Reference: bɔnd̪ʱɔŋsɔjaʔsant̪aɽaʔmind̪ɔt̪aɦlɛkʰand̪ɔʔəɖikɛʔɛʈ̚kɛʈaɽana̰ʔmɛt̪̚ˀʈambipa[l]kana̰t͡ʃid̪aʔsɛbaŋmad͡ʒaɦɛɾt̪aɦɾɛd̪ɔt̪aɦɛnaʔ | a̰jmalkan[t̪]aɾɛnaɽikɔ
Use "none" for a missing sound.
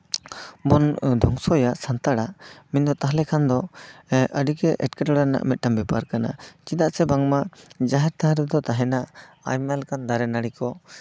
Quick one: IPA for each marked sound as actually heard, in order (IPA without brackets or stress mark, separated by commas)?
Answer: ɾ, d̪